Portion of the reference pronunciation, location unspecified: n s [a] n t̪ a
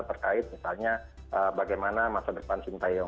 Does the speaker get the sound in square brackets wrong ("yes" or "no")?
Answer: yes